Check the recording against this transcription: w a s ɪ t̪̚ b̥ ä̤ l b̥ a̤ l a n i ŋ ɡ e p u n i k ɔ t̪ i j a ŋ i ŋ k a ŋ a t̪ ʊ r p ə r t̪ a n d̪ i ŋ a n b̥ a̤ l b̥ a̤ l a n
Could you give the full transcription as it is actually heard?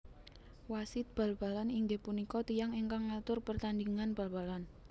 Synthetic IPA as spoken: w a s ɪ t̪̚ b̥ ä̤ l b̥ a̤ l a n i ŋ ɡ e p u n i k ɔ t̪ i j a ŋ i ŋ k a ŋ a t̪ ʊ r p ə r t̪ a n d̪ i ŋ a n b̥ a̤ l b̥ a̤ l a n

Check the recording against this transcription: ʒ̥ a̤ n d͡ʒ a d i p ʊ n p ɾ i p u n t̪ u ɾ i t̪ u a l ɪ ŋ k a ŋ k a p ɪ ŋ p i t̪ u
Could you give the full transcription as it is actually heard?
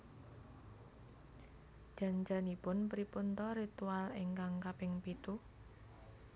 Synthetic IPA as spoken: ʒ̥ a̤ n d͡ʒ a n i p ʊ n p ɾ i p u n t̪ ɔ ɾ i t̪ u a l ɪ ŋ k a ŋ k a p ɪ ŋ p i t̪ u

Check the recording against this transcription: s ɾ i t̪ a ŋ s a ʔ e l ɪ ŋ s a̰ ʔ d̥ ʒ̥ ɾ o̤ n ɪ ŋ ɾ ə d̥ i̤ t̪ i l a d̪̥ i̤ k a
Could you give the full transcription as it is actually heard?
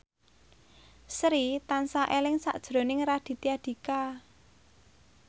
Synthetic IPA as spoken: s ɾ i t̪ a n s a ʔ e l ɪ ŋ s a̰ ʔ d̥ ʒ̥ ɾ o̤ n ɪ ŋ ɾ a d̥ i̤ t̪ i a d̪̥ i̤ k a

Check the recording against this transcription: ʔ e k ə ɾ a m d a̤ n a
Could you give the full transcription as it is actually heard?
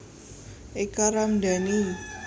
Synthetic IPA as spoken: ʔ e k a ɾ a m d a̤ n i

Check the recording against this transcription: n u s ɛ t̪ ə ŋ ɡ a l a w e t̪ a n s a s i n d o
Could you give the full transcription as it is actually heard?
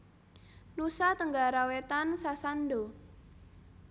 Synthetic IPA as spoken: n u s a t̪ ə ŋ ɡ a ɾ a w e t̪ a n s a s a n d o

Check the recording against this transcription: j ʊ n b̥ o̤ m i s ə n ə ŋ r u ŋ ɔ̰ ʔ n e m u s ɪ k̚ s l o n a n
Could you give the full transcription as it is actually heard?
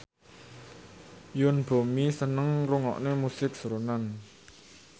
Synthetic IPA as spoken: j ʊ n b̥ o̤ m i s ə n ə ŋ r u ŋ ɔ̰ ʔ n e m u s ɪ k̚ s ɾ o n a n

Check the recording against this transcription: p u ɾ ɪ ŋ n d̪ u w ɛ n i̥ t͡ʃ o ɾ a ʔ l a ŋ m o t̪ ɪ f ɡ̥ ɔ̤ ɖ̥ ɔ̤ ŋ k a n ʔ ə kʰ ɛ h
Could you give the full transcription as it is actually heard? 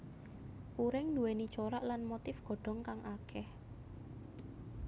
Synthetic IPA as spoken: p u ɾ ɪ ŋ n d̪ u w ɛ n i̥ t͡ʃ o ɾ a ʔ l a n m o t̪ ɪ f ɡ̥ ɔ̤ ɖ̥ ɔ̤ ŋ k a ŋ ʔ a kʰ ɛ h

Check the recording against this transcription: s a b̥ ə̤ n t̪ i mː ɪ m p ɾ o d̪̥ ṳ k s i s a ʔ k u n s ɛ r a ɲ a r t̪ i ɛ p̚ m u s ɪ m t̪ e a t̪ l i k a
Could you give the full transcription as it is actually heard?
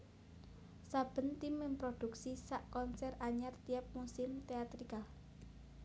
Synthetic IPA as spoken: s a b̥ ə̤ n t̪ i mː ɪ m p ɾ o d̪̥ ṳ k s i s a ʔ k ɔ n s ɛ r a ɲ a r t̪ i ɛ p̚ m u s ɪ m t̪ e a t̪ ɾ i k a

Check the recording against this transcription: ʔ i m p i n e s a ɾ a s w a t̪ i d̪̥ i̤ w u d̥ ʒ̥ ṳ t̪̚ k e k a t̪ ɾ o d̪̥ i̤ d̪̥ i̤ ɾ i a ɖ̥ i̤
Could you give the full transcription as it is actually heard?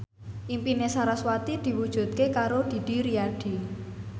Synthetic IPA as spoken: ʔ i m p i n e s a ɾ a s w a t̪ i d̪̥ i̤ w u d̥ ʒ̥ ṳ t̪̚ k e k a ɾ o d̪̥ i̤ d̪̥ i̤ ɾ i a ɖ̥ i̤

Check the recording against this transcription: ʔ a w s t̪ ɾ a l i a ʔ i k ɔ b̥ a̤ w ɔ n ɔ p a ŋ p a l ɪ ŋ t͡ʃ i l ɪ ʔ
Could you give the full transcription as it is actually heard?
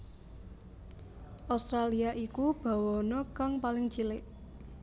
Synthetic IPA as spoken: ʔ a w s t̪ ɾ a l i a ʔ i k u b̥ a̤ w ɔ n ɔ k a ŋ p a l ɪ ŋ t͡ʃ i l ɪ ʔ

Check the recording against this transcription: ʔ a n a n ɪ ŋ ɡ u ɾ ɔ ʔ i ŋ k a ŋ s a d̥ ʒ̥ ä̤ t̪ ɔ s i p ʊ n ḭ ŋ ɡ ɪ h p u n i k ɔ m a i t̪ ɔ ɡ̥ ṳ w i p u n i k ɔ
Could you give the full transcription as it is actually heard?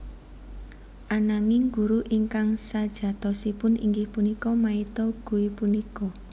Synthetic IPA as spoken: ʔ a n a ŋ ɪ ŋ ɡ u ɾ u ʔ i ŋ k a ŋ s a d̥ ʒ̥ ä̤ t̪ ɔ s i p ʊ n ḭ ŋ ɡ ɪ h p u n i k ɔ m a i t̪ ɔ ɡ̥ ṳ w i p u n i k ɔ

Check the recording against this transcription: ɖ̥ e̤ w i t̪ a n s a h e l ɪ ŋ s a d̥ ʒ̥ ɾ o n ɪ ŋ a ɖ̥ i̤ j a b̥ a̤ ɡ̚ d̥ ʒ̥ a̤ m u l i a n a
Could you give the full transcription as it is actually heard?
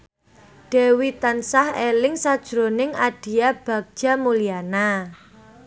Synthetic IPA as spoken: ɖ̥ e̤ w i t̪ a n s a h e l ɪ ŋ s a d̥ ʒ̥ ɾ o n ɪ ŋ a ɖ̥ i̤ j a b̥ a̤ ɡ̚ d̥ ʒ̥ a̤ m u l i a n a

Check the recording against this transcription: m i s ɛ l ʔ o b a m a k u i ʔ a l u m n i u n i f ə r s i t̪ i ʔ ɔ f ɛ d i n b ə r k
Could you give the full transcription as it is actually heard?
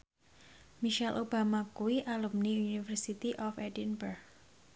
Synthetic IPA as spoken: m i ʃ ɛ l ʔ o b a m a k u i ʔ a l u m n i u n i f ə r s i t̪ i ʔ ɔ f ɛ d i n b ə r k

